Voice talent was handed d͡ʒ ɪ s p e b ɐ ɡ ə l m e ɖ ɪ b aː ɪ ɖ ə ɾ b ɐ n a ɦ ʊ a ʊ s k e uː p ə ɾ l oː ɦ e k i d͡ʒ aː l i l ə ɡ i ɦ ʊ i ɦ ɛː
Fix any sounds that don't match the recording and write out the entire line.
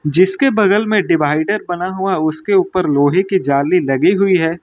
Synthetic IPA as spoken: d͡ʒ ɪ s k e b ɐ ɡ ə l m ẽ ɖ ɪ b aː ɪ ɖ ə ɾ b ɐ n a ɦ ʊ a ʊ s k e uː p ə ɾ l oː ɦ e k i d͡ʒ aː l i l ɐ ɡ i ɦ ʊ i ɦ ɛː

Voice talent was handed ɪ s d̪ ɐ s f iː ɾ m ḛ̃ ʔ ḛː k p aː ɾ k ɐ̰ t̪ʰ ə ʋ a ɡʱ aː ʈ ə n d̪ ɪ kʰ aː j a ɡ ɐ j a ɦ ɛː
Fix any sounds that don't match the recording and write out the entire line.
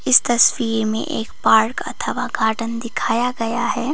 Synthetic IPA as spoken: ɪ s t̪ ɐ s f iː ɾ m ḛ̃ ʔ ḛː k p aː ɾ k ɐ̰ t̪ʰ ə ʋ a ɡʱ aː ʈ ə n d̪ ɪ kʰ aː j a ɡ ɐ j a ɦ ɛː

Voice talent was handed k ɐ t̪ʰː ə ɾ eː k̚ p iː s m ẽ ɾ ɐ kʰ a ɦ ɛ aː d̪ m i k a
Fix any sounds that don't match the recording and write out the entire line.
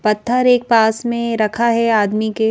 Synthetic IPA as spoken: p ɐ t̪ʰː ə ɾ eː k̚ p aː s m ẽ ɾ ɐ kʰ a ɦ ɛ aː d̪ m i k e

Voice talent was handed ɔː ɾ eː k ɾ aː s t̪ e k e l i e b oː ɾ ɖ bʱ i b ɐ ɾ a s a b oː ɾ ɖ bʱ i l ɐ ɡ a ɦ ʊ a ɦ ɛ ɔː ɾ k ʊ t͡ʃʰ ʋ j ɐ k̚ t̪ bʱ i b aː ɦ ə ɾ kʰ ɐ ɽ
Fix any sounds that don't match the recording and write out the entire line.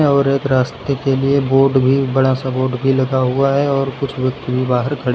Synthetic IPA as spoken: ɔː ɾ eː k ɾ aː s t̪ e k e l i e b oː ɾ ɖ bʱ i b ɐ ɽ a s a b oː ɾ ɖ bʱ i l ɐ ɡ a ɦ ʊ a ɦ ɛ ɔː ɾ k ʊ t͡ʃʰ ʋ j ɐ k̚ t̪ bʱ i b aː ɦ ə ɾ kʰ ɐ ɽ

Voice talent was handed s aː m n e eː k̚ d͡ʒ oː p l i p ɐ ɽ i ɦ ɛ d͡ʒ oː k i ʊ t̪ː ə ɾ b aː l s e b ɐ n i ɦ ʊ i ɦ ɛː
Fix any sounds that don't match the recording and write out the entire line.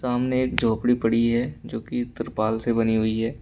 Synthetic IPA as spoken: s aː m n e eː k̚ d͡ʒ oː p ɽ i p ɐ ɽ i ɦ ɛ d͡ʒ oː k i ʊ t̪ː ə ɾ p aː l s e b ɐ n i ɦ ʊ i ɦ ɛː

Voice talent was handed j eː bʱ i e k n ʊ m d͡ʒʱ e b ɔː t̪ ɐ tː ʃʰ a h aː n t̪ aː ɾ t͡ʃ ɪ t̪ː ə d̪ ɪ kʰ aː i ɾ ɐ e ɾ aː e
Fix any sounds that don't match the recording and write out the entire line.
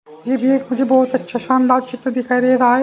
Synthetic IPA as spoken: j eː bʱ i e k m ʊ d͡ʒʱ e b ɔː t̪ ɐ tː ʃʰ a ʃ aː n d̪ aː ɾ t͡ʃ ɪ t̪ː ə d̪ ɪ kʰ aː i ɾ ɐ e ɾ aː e

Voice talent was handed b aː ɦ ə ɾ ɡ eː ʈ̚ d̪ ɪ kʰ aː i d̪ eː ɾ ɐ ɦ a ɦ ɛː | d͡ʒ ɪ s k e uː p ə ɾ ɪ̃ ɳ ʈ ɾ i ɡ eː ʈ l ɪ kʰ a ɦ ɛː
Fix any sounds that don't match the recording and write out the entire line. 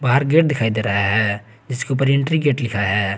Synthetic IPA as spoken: b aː ɦ ə ɾ ɡ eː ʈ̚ d̪ ɪ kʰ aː i d̪ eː ɾ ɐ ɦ a ɦ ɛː | d͡ʒ ɪ s k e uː p ə ɾ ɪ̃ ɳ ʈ ɾ i ɡ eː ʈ l ɪ kʰ a ɦ ɛː

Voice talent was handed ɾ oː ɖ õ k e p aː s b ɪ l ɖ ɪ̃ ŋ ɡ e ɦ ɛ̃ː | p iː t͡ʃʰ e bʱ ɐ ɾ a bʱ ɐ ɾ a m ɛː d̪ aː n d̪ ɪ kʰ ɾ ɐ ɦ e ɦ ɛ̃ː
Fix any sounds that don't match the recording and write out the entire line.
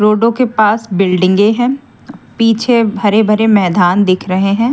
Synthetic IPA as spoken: ɾ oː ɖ õ k e p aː s b ɪ l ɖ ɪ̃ ŋ ɡ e ɦ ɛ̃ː | p iː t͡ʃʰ e bʱ ɐ ɾ e bʱ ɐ ɾ e m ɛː d̪ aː n d̪ ɪ kʰ ɾ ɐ ɦ e ɦ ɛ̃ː

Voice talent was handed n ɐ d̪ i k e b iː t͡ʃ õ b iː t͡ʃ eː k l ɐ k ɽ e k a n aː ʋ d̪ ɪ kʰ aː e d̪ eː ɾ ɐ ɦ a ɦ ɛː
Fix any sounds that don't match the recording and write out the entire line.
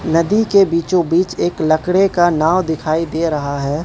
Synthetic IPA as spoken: n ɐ d̪ i k e b iː t͡ʃ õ b iː t͡ʃ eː k l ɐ k ɽ e k a n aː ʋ d̪ ɪ kʰ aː i d̪ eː ɾ ɐ ɦ a ɦ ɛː

